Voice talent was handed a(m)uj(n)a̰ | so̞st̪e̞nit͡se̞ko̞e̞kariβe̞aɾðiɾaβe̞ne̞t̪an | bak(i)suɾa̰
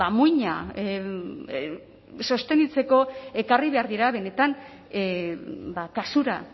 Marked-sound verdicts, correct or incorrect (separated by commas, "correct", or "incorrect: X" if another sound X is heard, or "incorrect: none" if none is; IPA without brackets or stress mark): correct, incorrect: ɲ, incorrect: a